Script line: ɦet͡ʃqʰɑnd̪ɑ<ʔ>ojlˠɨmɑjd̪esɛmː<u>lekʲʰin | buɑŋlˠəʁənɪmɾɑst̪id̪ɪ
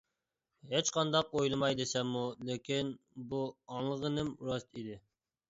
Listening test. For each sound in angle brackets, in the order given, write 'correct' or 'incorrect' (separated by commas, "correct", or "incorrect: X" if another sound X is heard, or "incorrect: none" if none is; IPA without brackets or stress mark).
incorrect: q, correct